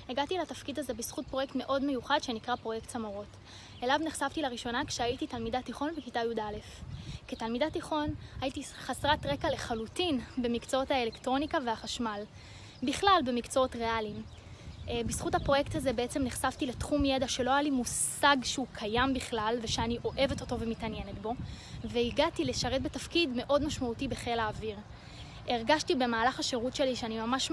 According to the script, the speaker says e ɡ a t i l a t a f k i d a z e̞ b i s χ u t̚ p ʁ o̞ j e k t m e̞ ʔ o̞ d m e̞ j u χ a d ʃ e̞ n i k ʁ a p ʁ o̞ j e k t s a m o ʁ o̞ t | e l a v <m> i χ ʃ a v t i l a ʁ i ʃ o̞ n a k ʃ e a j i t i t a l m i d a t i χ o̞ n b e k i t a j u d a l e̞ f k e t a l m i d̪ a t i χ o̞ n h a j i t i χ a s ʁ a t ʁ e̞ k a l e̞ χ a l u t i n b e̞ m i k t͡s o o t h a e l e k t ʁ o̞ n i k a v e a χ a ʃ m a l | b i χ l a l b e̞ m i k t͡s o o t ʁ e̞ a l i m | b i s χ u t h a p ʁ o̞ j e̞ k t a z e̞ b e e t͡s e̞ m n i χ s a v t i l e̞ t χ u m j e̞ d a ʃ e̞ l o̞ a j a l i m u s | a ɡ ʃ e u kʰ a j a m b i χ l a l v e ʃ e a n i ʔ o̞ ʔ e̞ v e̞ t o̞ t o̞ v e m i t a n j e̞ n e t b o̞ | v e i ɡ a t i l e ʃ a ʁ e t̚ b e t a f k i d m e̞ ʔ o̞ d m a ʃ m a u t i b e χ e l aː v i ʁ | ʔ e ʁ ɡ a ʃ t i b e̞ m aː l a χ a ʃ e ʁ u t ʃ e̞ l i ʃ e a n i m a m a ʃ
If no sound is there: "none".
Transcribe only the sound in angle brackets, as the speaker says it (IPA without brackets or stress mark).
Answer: n